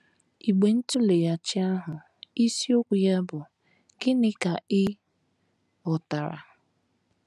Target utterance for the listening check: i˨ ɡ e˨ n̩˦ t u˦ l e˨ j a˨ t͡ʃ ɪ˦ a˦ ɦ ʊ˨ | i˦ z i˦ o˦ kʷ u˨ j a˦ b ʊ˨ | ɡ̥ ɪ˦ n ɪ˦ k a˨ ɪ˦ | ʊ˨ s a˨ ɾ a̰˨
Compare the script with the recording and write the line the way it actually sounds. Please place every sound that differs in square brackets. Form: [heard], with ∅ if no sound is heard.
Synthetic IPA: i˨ [ɡ͡b] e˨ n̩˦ t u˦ l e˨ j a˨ t͡ʃ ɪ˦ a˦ ɦ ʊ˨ | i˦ [s] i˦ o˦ kʷ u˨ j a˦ b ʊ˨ | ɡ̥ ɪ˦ n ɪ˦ k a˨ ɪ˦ | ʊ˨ [t] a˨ ɾ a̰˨